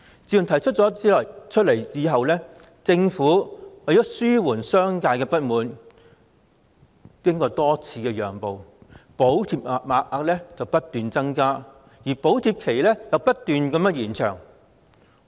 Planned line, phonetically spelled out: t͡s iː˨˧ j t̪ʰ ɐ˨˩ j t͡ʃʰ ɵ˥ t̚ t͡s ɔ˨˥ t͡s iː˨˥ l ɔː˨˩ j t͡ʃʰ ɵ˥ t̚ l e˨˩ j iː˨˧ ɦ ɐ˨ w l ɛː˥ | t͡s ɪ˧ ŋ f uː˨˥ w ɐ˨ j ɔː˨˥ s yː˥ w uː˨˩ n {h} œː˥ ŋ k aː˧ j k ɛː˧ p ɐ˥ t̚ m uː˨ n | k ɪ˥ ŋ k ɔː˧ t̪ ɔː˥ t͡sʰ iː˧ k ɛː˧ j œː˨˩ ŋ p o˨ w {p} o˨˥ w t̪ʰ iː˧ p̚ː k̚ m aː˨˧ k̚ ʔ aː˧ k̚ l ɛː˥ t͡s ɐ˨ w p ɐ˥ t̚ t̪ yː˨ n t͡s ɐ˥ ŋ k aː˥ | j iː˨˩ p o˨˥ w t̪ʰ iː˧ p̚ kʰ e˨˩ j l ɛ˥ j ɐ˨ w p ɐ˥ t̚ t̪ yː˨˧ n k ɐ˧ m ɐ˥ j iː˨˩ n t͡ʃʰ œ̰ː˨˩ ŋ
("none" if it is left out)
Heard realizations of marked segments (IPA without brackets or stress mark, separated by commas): s, p